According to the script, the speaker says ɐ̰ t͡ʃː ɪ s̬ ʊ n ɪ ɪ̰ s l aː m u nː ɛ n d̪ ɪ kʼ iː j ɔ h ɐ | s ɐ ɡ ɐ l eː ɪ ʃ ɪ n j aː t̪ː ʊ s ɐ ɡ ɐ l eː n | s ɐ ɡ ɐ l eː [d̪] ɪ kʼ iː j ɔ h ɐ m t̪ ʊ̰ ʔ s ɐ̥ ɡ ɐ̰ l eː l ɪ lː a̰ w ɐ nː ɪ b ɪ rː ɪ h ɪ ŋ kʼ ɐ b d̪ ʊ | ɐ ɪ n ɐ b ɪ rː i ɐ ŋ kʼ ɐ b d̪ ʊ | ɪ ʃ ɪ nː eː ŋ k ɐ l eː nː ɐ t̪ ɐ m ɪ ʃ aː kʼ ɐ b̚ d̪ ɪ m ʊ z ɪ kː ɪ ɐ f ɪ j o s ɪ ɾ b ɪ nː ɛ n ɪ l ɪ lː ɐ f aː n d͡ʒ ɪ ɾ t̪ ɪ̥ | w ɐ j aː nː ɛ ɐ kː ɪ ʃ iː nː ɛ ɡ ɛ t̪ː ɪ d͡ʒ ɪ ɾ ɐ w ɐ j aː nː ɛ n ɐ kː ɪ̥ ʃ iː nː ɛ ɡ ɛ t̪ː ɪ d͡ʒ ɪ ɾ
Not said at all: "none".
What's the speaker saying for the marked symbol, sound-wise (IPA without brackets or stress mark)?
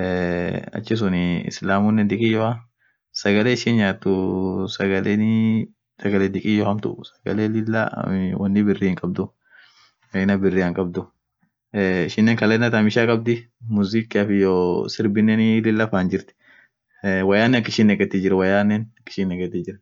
d̪